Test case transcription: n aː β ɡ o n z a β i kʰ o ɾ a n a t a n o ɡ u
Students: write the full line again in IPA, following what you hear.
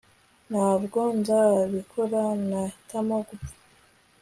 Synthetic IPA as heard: n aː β ɡ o n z a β i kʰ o ɾ a n a t a m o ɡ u

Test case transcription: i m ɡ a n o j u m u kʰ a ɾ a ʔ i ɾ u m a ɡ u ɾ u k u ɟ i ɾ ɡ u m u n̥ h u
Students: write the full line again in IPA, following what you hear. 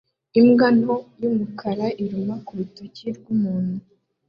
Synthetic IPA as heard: i m ɡ a n o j u m u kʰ a ɾ a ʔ i ɾ u m a k u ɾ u t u c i ɾ ɡ u m uː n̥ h u

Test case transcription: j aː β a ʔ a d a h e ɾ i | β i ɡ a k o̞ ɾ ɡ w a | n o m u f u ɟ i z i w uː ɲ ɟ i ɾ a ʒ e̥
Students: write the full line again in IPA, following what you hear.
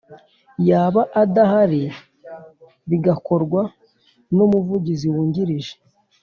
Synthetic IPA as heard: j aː β a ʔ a d a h a ɾ i | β i ɡ a k o̞ ɾ ɡ w a | n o m u v u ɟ i z i w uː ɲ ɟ i ɾ i ʒ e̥

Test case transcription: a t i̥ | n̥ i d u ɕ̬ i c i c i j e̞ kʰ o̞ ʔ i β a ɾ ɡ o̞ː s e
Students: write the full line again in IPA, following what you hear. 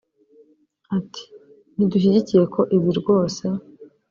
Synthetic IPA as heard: a t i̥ | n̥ i d u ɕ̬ i ɟ i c i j e̞ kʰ o̞ ʔ i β i ɾ ɡ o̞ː s e

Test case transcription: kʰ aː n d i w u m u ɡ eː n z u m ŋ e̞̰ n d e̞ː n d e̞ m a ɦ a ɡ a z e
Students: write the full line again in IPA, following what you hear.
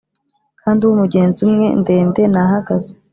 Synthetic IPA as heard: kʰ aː n d i w u m u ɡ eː n z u m ŋ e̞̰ n d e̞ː n d e̞ n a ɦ a ɡ a z e

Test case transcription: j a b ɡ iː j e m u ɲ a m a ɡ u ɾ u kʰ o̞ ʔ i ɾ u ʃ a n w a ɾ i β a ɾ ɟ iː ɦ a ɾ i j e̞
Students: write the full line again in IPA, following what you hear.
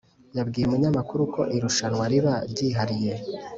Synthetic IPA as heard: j a b ɡ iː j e m u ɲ a m a k u ɾ u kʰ o̞ ʔ i ɾ u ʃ a n w a ɾ i β a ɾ ɟ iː ɦ a ɾ i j e̞

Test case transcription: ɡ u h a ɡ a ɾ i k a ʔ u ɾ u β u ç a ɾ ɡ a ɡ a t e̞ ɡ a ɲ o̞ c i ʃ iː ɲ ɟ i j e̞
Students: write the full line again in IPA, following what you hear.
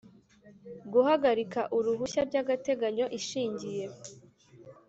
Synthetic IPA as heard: ɡ u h a ɡ a ɾ i k a ʔ u ɾ u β u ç a ɾ ɟ a ɡ a t e̞ ɡ a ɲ o̞ ʔ i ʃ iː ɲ ɟ i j e̞

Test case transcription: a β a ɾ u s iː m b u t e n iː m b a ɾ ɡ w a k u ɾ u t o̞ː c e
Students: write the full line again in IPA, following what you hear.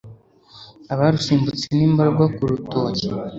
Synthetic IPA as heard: a β a ɾ u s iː m b u t͡s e n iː m b a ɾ ɡ w a k u ɾ u t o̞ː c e

